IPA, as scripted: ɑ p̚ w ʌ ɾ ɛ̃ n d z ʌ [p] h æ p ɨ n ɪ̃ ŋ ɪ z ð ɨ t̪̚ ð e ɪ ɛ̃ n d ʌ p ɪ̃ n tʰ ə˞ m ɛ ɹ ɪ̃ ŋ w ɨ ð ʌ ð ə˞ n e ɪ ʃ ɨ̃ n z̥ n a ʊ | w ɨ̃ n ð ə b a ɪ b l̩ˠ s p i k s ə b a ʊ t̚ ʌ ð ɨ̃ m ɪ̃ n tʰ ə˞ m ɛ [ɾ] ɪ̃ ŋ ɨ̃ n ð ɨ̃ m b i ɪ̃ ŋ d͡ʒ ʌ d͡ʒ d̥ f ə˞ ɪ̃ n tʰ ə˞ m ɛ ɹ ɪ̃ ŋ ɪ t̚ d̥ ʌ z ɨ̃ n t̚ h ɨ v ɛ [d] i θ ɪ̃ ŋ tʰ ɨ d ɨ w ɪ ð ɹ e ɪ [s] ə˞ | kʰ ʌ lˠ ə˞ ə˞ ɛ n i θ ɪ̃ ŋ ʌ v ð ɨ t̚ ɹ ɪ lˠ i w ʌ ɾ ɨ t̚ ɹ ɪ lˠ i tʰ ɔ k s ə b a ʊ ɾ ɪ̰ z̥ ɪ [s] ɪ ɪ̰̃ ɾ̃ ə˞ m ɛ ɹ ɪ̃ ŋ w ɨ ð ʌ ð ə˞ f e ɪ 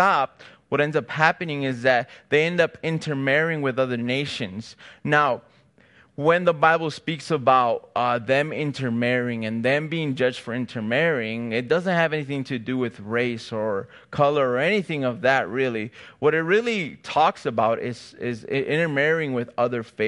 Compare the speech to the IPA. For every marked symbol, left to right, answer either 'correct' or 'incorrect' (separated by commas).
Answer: correct, incorrect, incorrect, correct, incorrect